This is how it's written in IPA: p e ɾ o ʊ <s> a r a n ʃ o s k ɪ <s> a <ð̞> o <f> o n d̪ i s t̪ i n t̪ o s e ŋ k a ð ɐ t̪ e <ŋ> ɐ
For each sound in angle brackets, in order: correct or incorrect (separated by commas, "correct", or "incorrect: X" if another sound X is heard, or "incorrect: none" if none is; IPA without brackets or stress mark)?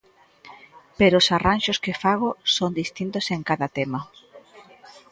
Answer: correct, incorrect: f, incorrect: ɣ̞, incorrect: s, incorrect: m